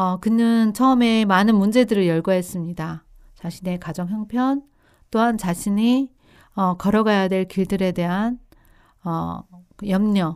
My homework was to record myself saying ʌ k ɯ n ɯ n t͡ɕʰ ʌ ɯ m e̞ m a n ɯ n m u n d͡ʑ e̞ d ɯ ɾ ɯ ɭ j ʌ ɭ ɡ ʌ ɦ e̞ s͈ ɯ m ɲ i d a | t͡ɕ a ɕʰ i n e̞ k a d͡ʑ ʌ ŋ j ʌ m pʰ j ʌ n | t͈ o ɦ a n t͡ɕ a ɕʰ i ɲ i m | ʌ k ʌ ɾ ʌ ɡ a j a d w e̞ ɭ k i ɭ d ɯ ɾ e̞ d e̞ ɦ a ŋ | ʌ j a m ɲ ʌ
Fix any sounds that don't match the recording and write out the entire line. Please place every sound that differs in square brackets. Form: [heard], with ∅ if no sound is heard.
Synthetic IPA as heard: ʌ k ɯ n ɯ n t͡ɕʰ ʌ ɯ m e̞ m a n ɯ n m u n d͡ʑ e̞ d ɯ ɾ ɯ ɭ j ʌ ɭ ɡ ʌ ɦ e̞ s͈ ɯ m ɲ i d a | t͡ɕ a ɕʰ i n e̞ k a d͡ʑ ʌ ŋ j ʌ [ŋ] pʰ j ʌ n | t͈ o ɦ a n t͡ɕ a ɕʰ i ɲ i [∅] | ʌ k ʌ ɾ ʌ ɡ a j a d w e̞ ɭ k i ɭ d ɯ ɾ e̞ d e̞ ɦ a [n] | ʌ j [ʌ] m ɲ ʌ